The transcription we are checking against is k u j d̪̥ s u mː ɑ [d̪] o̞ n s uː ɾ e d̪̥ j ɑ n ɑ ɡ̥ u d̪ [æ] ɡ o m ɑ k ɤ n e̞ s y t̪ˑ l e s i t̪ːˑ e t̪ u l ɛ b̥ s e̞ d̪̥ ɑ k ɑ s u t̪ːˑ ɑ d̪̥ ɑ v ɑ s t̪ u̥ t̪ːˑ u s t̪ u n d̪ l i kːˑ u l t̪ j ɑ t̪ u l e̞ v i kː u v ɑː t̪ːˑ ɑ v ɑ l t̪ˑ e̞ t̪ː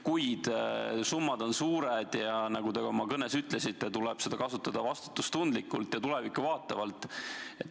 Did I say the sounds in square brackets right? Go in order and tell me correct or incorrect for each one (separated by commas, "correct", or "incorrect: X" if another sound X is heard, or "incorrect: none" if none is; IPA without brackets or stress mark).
correct, incorrect: e